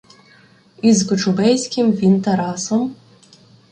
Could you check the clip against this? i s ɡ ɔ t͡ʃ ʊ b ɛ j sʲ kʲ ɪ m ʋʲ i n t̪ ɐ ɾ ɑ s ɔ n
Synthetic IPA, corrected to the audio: i z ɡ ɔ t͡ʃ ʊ b ɛ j sʲ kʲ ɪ m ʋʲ i n t̪ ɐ ɾ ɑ s ɔ m

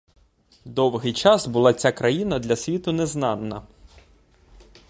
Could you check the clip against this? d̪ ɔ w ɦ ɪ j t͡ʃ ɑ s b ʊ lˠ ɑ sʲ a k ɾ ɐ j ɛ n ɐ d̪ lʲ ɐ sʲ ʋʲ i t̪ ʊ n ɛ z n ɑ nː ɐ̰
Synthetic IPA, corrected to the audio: d̪ ɔ w ɦ ɪ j t͡ʃ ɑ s b ʊ lˠ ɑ t͡sʲ a k ɾ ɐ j i n ɐ d̪ lʲ ɐ sʲ ʋʲ i t̪ ʊ n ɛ z n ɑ nː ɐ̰

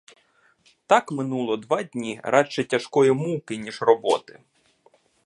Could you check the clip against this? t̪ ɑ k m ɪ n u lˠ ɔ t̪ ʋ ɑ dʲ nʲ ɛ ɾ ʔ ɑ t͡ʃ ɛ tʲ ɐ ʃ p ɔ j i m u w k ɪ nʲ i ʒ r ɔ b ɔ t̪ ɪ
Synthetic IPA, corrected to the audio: t̪ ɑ k m ɪ n u lˠ ɔ d̪ ʋ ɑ dʲ nʲ i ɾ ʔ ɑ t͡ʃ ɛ tʲ ɐ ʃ k ɔ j i m u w k ɪ nʲ i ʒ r ɔ b ɔ t̪ ɪ

